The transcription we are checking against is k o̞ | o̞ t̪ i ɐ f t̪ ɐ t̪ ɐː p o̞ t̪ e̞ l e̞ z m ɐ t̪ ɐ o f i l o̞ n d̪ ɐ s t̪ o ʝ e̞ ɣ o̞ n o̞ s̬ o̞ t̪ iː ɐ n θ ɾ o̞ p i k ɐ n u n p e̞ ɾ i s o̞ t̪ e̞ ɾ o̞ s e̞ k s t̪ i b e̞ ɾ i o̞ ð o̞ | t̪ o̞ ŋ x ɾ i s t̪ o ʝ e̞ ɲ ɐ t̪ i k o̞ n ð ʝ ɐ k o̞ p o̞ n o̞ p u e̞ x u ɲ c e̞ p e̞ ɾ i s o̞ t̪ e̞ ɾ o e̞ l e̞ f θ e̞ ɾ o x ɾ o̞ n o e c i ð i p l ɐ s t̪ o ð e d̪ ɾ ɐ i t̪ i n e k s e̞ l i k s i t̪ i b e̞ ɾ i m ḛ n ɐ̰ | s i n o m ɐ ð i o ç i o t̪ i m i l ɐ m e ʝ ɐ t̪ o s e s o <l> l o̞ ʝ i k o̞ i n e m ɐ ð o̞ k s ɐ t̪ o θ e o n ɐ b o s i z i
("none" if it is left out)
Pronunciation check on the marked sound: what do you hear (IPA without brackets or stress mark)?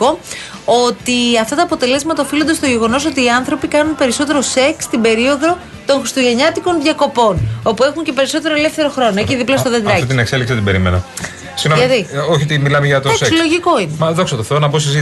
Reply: l